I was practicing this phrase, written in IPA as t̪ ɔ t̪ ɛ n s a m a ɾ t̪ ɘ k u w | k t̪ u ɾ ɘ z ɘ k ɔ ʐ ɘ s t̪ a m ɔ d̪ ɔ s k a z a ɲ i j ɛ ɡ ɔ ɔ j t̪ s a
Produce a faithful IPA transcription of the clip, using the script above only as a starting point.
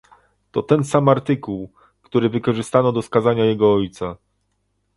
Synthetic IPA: t̪ ɔ t̪ ɛ n s a m a ɾ t̪ ɘ k u w | k t̪ u ɾ ɘ v ɘ k ɔ ʐ ɘ s t̪ a n ɔ d̪ ɔ s k a z a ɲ a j ɛ ɡ ɔ ɔ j t̪ s a